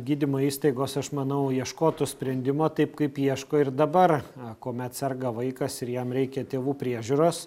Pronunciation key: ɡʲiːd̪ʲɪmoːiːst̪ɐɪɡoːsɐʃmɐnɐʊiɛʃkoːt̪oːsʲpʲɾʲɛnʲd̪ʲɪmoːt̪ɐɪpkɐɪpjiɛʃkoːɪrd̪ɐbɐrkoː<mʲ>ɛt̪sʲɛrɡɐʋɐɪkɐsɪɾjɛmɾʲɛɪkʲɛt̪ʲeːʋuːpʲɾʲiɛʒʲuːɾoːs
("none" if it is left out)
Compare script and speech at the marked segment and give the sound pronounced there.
mʲ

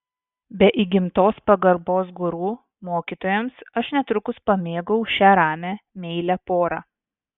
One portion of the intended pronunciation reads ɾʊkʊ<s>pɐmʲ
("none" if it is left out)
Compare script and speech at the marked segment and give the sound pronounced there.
s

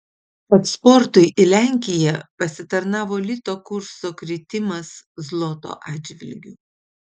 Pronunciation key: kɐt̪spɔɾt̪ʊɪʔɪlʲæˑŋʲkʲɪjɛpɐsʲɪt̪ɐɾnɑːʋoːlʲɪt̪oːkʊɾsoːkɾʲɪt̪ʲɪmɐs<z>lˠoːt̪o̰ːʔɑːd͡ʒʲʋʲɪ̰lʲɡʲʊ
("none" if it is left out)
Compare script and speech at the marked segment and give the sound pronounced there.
z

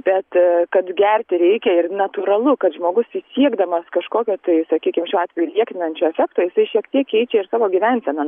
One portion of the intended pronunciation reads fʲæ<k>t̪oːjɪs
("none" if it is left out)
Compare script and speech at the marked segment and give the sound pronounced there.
k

